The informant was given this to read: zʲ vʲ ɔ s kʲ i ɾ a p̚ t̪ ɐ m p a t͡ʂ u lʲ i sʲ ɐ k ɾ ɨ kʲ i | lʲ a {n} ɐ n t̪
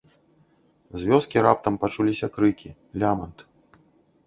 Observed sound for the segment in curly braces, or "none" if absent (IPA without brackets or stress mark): m